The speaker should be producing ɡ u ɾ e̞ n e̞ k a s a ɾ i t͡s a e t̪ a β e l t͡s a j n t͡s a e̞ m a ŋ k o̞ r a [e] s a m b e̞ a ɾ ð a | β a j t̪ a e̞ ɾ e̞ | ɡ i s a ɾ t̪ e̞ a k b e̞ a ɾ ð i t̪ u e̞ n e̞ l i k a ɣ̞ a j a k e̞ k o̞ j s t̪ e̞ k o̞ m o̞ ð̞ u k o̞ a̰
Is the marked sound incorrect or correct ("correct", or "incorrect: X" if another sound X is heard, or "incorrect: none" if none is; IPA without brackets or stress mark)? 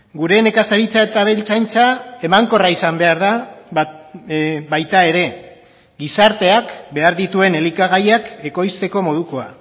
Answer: incorrect: i